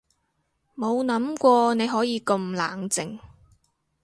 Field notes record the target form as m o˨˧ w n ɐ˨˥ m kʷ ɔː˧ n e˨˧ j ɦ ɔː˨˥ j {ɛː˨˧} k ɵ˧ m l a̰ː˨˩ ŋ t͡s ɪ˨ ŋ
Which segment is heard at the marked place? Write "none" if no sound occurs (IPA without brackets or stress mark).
iː˨˧